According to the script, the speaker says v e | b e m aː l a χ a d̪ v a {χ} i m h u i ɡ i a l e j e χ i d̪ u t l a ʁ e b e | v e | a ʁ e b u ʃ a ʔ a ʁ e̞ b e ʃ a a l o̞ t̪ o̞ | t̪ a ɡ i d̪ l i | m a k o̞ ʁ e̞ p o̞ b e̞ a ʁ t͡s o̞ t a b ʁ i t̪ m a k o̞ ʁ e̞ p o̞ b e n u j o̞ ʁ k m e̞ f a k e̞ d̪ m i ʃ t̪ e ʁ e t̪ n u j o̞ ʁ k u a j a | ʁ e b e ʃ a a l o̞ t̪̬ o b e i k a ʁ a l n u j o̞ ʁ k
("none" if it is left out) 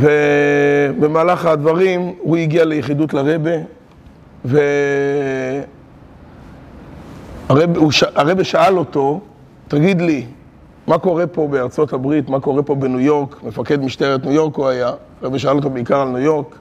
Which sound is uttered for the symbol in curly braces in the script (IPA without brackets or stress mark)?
ʁ